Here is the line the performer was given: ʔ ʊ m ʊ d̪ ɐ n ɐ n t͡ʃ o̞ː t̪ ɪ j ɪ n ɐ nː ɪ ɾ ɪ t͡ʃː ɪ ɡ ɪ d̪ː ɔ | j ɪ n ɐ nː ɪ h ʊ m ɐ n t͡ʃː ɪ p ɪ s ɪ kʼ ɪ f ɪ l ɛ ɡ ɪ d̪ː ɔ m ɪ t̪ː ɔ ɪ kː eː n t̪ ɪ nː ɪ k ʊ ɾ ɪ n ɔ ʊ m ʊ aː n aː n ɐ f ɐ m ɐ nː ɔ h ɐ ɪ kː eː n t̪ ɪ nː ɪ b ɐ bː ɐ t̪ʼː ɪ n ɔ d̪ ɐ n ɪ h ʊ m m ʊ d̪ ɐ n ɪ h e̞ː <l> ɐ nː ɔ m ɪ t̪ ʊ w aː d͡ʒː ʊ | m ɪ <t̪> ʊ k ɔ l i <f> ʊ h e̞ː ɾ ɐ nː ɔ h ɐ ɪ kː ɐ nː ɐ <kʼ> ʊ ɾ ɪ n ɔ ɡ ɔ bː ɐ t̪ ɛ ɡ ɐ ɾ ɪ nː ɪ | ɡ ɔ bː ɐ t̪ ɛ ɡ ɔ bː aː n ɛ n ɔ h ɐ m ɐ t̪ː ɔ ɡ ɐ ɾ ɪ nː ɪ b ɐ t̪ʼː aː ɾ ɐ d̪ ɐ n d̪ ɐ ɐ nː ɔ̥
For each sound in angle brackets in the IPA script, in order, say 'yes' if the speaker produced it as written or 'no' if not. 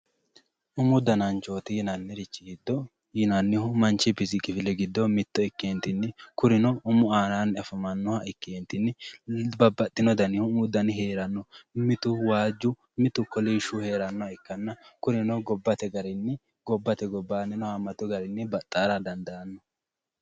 no, yes, no, no

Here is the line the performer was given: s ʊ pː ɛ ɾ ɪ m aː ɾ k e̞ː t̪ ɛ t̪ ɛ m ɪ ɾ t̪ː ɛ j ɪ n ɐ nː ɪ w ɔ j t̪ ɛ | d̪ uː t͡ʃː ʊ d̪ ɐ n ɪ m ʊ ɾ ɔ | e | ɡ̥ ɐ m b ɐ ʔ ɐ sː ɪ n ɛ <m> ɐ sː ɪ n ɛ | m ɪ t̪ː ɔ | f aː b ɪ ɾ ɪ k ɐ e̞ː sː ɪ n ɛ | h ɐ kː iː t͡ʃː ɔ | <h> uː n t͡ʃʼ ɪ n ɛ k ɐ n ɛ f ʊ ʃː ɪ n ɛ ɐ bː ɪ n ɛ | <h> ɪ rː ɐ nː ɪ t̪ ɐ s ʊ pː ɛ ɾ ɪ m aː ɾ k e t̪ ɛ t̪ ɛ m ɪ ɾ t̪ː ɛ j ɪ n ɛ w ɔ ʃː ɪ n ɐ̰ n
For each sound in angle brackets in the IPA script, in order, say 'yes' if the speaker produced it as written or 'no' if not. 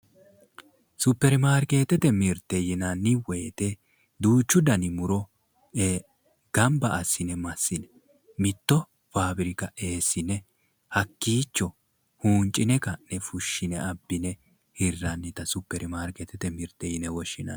yes, yes, yes

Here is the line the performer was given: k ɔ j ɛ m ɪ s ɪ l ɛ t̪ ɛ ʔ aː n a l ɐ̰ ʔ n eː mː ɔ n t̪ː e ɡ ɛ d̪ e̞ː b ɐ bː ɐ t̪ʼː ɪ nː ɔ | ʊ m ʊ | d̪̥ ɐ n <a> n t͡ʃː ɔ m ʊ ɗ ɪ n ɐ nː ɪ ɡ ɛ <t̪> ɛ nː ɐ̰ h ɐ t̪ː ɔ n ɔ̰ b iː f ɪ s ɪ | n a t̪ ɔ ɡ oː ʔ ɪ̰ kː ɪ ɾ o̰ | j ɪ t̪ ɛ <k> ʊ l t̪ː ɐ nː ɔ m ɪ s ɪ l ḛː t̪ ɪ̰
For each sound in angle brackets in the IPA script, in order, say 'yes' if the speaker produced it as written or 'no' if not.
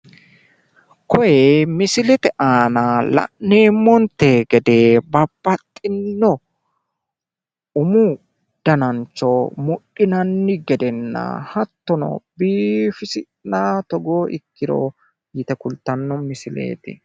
no, no, yes

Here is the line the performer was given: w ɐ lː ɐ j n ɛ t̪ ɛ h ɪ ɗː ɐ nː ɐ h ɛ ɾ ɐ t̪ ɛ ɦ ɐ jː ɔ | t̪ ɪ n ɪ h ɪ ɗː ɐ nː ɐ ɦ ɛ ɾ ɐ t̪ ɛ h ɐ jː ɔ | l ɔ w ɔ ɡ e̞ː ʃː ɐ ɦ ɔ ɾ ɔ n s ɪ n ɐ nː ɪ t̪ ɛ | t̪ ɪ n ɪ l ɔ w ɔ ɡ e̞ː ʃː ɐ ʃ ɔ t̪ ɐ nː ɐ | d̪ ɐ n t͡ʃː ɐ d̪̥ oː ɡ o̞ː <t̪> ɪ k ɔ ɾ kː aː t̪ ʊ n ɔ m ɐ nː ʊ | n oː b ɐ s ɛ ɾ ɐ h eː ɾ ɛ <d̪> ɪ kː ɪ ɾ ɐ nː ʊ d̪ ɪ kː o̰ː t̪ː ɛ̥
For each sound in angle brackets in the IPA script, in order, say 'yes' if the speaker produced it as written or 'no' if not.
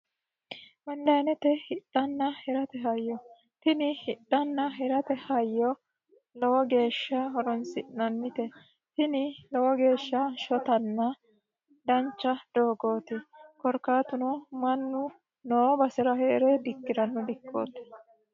yes, yes

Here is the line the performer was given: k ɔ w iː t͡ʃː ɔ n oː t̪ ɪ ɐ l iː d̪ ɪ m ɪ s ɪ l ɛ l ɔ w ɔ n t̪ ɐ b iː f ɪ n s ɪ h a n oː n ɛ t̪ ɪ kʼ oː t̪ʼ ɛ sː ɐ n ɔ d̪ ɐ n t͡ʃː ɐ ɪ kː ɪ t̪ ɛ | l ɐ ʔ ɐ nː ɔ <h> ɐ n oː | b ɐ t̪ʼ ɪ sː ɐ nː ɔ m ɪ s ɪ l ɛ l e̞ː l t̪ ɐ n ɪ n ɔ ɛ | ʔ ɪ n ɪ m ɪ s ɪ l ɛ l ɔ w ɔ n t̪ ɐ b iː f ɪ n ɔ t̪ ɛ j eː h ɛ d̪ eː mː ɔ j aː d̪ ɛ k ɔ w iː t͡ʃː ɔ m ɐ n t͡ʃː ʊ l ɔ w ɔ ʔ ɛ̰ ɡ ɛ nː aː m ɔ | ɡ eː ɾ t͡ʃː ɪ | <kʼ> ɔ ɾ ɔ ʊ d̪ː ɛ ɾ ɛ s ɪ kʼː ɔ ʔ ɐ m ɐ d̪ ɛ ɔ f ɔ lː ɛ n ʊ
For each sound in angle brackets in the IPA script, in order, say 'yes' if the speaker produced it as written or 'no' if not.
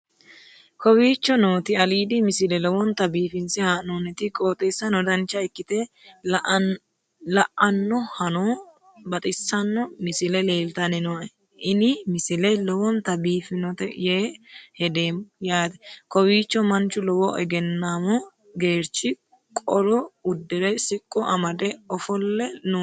yes, yes

